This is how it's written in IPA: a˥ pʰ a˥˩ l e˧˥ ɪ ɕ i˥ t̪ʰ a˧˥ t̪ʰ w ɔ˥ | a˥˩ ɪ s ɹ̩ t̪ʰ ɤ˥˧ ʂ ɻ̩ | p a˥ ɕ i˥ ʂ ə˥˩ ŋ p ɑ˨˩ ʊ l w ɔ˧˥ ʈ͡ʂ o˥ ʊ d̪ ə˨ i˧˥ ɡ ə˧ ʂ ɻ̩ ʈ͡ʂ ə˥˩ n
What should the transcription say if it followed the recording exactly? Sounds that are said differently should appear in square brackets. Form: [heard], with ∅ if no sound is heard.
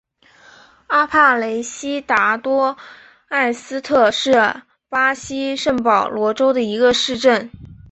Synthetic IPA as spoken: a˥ pʰ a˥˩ l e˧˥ ɪ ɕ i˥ [t̪] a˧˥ [t̪] w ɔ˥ | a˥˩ ɪ s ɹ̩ t̪ʰ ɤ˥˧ ʂ ɻ̩ | p a˥ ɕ i˥ ʂ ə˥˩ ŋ p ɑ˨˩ ʊ l w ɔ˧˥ ʈ͡ʂ o˥ ʊ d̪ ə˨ i˧˥ ɡ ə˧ ʂ ɻ̩ ʈ͡ʂ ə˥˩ n